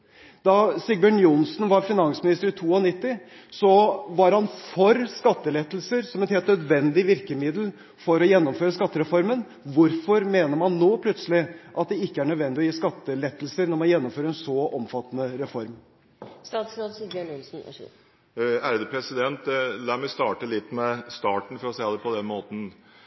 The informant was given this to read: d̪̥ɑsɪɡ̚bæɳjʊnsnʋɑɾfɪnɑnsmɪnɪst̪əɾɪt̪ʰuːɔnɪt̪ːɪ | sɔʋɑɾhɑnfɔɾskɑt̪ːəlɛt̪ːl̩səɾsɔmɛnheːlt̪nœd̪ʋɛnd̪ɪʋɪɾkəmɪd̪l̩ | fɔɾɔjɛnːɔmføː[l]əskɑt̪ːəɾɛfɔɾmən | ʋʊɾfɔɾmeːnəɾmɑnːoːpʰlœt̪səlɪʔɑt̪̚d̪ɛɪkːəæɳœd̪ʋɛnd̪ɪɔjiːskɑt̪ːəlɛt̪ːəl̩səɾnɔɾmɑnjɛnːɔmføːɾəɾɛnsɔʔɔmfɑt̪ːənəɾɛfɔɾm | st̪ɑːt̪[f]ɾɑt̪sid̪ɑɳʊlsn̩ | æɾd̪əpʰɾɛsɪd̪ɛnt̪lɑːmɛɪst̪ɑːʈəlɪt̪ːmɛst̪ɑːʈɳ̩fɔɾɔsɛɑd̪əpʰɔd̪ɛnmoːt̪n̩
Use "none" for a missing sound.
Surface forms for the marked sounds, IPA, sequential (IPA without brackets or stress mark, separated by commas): ɾ, s